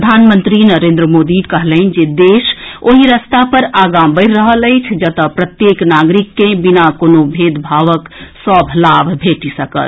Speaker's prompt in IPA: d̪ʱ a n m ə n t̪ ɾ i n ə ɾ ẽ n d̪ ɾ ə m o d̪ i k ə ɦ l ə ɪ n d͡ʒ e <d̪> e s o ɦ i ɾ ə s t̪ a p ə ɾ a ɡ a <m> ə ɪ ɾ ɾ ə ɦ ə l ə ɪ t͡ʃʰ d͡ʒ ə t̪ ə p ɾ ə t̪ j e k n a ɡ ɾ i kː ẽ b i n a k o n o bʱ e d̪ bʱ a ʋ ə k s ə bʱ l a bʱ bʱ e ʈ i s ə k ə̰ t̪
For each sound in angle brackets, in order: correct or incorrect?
correct, incorrect: b

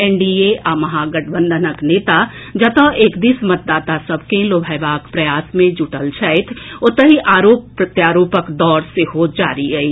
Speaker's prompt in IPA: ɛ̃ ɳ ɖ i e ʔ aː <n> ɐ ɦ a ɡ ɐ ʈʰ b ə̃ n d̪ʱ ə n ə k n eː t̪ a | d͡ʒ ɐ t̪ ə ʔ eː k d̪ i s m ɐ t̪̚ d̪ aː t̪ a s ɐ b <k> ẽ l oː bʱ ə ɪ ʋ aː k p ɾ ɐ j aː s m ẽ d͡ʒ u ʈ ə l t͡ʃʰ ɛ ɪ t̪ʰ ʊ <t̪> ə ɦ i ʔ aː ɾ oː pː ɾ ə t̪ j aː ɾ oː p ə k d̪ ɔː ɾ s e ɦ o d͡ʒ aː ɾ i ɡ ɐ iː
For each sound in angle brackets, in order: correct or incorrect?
incorrect: m, correct, correct

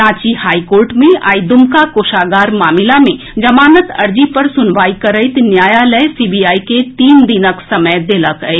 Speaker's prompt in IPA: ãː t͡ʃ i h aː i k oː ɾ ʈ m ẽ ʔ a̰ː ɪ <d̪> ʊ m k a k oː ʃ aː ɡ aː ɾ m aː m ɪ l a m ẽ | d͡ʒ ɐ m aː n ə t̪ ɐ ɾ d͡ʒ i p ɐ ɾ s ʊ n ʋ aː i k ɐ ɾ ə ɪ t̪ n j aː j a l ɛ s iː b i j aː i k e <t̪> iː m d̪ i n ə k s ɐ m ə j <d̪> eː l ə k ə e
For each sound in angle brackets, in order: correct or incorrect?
correct, correct, correct

